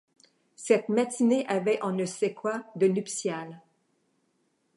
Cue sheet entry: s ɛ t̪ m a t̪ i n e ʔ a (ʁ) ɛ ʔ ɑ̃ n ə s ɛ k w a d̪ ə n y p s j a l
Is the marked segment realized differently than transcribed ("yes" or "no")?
yes